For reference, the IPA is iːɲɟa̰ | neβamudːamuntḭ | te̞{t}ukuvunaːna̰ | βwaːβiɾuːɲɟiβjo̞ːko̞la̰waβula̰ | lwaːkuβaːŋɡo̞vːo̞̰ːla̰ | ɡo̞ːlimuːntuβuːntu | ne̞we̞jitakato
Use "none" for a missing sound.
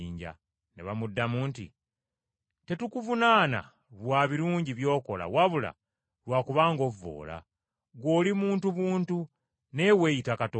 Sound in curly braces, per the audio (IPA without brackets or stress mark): t